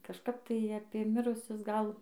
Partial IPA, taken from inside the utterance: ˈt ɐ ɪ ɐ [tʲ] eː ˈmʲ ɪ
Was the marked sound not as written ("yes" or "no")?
yes